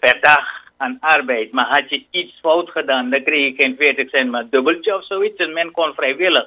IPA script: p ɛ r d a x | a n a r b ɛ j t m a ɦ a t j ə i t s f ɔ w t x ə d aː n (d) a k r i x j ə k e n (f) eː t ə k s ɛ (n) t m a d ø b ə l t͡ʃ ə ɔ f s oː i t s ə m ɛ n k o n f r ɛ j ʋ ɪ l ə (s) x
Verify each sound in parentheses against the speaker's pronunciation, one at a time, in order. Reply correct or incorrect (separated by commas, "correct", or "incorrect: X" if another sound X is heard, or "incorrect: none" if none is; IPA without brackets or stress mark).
correct, correct, correct, incorrect: none